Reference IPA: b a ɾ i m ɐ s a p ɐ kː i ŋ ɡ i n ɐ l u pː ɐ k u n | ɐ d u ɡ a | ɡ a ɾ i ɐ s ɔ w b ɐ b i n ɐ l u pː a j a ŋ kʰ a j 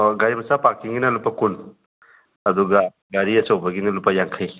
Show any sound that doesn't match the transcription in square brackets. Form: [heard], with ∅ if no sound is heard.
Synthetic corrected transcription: [ɡ] a ɾ i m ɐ s a p [a] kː i ŋ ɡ i n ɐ l u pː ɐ k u n | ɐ d u ɡ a | ɡ a ɾ i ɐ s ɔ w b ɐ [ɡ] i n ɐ l u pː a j a ŋ kʰ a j